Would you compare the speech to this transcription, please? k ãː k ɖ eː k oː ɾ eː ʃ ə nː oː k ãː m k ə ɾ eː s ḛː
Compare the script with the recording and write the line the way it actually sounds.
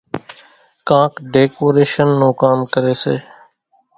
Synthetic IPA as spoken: k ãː k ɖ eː k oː ɾ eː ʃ ə nː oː k aː m k ə ɾ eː s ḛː